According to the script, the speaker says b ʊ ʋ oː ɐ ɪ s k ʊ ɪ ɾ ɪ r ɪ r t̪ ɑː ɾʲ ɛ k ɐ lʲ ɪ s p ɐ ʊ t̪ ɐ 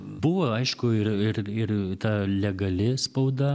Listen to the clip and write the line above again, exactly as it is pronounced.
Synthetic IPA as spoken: b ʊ ʋ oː ɐ ɪ ʃ k ʊ ɪ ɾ ɪ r ɪ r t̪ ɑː lʲ ɛ ɡ ɐ lʲ ɪ s p ɐ ʊ d̪ ɐ